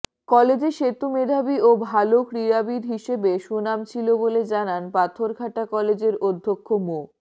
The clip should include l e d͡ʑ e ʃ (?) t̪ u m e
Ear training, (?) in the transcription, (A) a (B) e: B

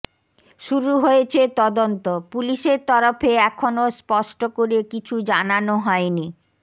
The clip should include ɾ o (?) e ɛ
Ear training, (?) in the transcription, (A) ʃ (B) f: B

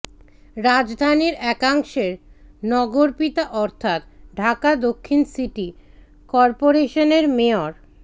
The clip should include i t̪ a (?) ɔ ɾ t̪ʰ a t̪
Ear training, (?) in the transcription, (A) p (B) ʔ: B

